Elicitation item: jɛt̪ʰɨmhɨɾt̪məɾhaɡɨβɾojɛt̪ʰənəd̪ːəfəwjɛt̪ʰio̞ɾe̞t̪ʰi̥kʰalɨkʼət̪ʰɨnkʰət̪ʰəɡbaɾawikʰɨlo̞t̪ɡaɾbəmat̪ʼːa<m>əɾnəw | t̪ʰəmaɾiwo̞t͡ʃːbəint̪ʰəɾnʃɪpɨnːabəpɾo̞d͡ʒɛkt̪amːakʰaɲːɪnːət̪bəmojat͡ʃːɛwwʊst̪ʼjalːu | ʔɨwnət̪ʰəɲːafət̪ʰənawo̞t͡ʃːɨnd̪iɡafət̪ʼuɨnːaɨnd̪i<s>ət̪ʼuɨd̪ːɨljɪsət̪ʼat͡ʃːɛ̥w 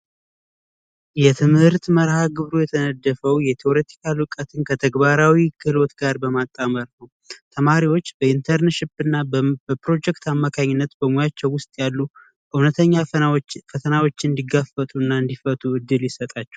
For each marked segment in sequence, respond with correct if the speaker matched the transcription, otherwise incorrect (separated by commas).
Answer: correct, incorrect